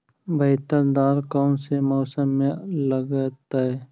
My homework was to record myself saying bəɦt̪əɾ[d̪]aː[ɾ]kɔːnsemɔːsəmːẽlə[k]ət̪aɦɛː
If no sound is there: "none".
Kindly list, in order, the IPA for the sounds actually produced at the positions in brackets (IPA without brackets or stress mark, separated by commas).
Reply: d̪, ɾ, ɡ